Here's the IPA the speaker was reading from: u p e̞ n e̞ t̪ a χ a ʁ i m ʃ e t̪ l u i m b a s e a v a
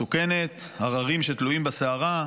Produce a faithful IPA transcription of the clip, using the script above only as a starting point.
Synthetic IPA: u k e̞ n e̞ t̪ a ʁ a ʁ i m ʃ e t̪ l u i m b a s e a ʁ a